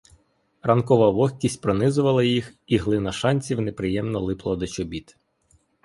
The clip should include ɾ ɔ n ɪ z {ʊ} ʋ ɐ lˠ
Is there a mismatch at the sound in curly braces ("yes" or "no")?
no